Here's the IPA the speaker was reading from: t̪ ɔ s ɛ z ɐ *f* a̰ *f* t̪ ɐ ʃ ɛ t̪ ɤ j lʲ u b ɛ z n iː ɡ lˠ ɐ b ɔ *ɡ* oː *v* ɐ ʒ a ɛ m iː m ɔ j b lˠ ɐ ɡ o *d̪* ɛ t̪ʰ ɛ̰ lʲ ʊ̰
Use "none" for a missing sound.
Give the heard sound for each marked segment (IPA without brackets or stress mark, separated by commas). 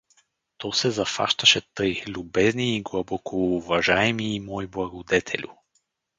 f, ʃ, k, v, d̪